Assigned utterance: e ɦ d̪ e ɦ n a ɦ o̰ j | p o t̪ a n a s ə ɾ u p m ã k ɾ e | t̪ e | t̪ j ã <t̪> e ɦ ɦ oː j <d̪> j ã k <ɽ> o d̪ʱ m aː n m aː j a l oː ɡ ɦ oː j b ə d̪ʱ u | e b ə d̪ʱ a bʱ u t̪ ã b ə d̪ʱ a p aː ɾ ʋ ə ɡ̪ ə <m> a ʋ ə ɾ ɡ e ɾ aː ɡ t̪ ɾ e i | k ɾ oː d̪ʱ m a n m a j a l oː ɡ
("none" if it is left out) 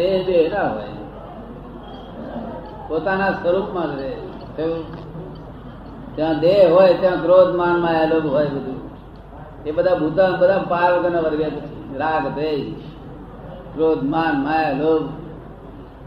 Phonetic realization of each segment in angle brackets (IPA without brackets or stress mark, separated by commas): d̪, t̪, ɾ, n